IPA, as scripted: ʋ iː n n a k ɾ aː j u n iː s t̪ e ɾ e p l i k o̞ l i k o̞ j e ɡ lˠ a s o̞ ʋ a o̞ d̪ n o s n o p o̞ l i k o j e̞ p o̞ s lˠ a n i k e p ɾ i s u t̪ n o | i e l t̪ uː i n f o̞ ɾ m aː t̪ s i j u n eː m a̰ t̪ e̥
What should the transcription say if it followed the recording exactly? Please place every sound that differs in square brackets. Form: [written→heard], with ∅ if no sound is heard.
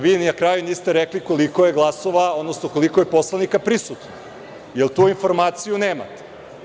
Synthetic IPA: ʋ iː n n a k ɾ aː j u n iː s t̪ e ɾ e [p→k] l i k o̞ l i k o̞ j e ɡ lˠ a s o̞ ʋ a o̞ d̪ n o s n o [p→k] o̞ l i k o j e̞ p o̞ s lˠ a n i k [e→a] p ɾ i s u t̪ n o | [i→j] e l t̪ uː i n f o̞ ɾ m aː t̪ s i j u n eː m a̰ t̪ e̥